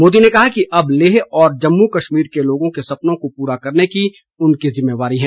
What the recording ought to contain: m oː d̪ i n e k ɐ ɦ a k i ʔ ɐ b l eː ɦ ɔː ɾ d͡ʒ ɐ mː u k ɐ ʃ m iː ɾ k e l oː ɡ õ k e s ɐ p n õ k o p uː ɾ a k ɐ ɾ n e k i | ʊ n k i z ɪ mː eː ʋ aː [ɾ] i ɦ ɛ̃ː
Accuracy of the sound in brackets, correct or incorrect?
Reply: correct